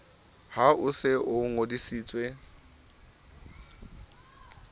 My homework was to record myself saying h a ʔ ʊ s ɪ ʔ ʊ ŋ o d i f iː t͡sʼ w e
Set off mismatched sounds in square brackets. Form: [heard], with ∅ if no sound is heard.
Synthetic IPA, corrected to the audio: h a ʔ ʊ s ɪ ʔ ʊ ŋ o d i [s] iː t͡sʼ w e